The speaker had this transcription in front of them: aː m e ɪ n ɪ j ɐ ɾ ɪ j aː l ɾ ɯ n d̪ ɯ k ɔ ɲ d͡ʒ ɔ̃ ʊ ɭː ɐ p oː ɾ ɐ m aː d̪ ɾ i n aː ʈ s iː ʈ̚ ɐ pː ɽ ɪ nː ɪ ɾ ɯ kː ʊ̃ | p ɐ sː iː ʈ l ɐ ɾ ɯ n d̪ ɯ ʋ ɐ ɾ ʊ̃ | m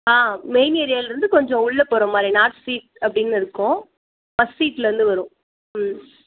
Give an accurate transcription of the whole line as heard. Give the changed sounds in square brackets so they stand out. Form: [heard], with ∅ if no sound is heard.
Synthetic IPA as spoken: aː m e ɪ n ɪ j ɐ ɾ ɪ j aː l ɾ ɯ n d̪ ɯ k ɔ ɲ d͡ʒ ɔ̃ ʊ ɭː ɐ p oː ɾ ɐ m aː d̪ ɾ i n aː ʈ s iː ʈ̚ ɐ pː ɽ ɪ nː ɪ ɾ ɯ kː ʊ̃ | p ɐ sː iː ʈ l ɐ ɾ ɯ n d̪ ɯ ʋ ɐ ɾ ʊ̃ | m